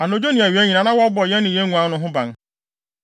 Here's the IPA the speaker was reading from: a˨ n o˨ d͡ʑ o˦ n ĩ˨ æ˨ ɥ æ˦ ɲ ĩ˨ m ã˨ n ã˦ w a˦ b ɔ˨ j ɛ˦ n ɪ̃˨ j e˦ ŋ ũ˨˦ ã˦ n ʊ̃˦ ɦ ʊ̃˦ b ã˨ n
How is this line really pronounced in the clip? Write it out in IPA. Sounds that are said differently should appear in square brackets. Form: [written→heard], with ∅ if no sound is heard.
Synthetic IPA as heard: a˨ n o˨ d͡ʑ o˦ n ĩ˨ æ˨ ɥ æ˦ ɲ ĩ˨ [m→n] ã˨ n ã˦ w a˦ b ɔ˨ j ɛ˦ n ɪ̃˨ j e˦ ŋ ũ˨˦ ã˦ n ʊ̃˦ ɦ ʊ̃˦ b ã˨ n